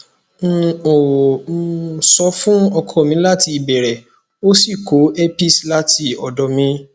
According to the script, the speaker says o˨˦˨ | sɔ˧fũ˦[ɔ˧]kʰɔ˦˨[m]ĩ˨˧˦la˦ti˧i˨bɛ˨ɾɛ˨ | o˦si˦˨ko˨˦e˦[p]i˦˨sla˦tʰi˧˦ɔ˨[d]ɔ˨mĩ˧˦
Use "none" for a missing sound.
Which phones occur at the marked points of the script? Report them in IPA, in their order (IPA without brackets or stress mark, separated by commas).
ɔ˧, m, p, d